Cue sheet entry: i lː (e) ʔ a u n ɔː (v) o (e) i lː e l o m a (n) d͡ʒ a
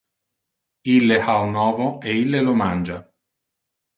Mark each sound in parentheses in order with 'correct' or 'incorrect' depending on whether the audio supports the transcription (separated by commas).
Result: correct, correct, correct, correct